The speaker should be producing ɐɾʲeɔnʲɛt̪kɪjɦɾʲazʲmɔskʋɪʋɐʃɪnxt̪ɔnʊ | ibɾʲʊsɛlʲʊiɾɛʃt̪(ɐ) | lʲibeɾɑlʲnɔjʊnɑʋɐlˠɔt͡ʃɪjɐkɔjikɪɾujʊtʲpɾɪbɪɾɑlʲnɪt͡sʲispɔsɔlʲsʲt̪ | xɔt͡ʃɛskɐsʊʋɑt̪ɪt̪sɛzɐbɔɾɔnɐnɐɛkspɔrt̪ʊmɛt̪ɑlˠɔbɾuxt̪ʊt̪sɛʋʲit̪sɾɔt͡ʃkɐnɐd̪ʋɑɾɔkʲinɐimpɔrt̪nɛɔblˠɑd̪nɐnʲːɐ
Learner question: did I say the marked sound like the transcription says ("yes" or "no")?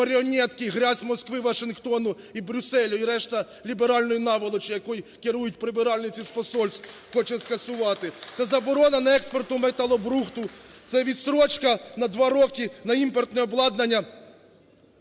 yes